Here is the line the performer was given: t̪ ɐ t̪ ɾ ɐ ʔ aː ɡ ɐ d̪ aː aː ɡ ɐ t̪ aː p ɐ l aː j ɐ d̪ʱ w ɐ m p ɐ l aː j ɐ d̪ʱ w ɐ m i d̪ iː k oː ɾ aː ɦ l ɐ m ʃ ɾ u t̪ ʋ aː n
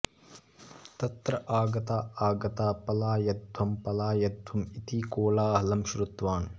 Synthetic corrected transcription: t̪ ɐ t̪ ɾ ɐ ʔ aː ɡ ɐ t̪ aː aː ɡ ɐ t̪ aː p ɐ l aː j ɐ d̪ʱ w ɐ m p ɐ l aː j ɐ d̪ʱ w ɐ m i t̪ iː k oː l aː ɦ l ɐ m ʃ ɾ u t̪ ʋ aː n